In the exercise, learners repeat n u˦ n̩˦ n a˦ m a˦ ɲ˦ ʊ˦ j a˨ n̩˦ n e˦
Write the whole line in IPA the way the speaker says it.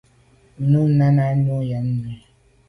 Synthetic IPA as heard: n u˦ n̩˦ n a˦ n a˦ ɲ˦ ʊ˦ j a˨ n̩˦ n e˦